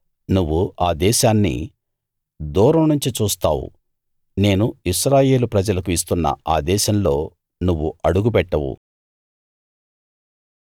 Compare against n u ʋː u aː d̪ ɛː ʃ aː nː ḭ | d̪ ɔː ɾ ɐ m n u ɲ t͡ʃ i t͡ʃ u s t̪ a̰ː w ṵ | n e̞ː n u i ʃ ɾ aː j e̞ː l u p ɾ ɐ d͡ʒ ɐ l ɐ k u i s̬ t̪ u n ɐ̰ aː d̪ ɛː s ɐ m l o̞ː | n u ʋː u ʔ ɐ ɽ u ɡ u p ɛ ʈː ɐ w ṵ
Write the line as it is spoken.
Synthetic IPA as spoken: n u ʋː u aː d̪ ɛː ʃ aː nː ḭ | d̪ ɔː ɾ ɐ m n u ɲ t͡ʃ i t͡ʃ uː s t̪ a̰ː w ṵ | n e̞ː n u i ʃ ɾ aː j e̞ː l u p ɾ ɐ d͡ʒ ɐ l ɐ k u i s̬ t̪ u nː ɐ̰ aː d̪ ɛː ʃ ɐ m l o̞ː | n u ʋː u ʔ ɐ ɽ u ɡ u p ɛ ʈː ɐ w ṵ

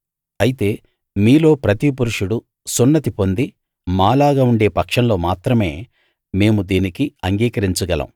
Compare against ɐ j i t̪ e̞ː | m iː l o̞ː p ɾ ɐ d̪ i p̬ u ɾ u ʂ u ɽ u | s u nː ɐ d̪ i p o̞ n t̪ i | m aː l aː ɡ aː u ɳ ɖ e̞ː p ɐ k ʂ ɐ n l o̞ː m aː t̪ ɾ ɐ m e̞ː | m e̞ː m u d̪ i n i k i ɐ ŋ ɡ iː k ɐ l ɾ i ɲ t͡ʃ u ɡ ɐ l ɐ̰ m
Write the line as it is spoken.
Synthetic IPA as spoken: ɐ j i t̪ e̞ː | m iː l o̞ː p ɾ ɐ t̪ i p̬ u ɾ u ʂ u ɽ u | s u nː ɐ t̪ i p o̞ n d̪ i | m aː l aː ɡ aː u ɳ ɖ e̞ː p ɐ k ʂ ɐ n l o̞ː m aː t̪ ɾ ɐ m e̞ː | m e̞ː m u d̪ iː n i k i ɐ ŋ ɡ iː k ɐ ɾ i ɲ t͡ʃ u ɡ ɐ l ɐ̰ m

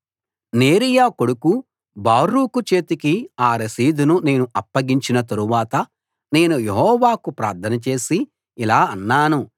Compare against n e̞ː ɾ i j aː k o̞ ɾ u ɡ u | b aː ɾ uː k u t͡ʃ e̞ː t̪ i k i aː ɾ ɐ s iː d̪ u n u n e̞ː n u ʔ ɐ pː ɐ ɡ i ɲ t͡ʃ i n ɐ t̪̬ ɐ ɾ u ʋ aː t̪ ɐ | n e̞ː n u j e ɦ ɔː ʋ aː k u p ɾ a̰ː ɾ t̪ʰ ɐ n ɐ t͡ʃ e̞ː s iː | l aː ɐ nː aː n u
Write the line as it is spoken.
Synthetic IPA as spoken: n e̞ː ɾ i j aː k o̞ ɽ u k u | b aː ɾ uː k u t͡ʃ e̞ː t̪ i k i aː ɾ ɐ s iː d̪ u n u n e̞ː n u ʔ ɐ pː ɐ ɡ i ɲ t͡ʃ i n ɐ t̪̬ ɐ ɾ u ʋ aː t̪ ɐ | n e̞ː n u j e ɦ ɔː ʋ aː k u p ɾ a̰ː ɾ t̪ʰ ɐ n ɐ t͡ʃ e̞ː s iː | l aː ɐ nː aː n u

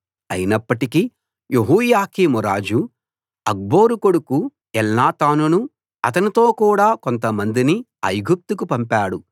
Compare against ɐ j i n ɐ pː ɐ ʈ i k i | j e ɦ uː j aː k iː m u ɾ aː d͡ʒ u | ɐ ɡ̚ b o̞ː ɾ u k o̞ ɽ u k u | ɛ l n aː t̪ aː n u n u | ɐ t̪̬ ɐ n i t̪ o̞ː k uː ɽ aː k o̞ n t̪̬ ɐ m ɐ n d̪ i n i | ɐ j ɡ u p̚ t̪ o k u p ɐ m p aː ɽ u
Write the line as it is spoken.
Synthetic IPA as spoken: ɐ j i n ɐ pː ɐ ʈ i k i | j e ɦ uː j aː k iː m u ɾ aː d͡ʒ u | ɐ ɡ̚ b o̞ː ɾ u k o̞ ɽ u k u | ɛ l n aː t̪ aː n u n u | ɐ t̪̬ ɐ n i t̪ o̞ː k uː ɽ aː k o̞ n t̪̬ ɐ m ɐ n d̪ i n i | ɐ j ɡ u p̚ t̪ u k u p ɐ m p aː ɽ u

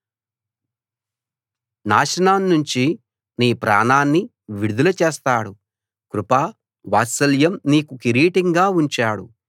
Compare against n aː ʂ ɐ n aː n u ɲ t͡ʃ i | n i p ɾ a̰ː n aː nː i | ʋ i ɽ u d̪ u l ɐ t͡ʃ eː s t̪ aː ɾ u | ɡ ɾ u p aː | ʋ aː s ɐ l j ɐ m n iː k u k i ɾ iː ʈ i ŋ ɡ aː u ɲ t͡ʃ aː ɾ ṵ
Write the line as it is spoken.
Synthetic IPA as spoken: n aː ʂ ɐ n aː nː u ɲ t͡ʃ i | n iː p ɾ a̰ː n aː nː i | ʋ i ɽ u d̪ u l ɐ t͡ʃ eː s t̪ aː ɽ u | k ɾ u p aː | ʋ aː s ɐ l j ɐ m n iː k u k i ɾ iː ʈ i ŋ ɡ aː u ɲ t͡ʃ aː ɽ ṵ

